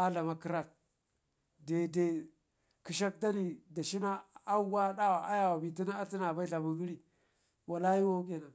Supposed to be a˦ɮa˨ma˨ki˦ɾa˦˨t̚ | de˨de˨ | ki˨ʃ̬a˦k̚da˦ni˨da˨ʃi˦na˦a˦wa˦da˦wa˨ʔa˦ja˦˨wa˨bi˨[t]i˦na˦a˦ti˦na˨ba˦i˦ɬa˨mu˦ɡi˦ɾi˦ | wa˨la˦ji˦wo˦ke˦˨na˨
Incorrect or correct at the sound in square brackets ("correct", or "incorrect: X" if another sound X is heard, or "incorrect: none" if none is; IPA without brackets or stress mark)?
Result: correct